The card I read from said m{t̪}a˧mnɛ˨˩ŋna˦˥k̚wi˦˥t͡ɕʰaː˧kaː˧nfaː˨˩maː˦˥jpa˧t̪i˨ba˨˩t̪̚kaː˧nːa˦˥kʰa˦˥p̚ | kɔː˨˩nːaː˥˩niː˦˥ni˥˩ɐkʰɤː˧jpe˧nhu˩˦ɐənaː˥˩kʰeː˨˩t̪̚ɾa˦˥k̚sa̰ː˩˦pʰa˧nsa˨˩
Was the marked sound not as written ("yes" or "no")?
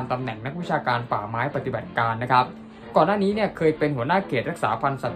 no